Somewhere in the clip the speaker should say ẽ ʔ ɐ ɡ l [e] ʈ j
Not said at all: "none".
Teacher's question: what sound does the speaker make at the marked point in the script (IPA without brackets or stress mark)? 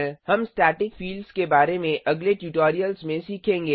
e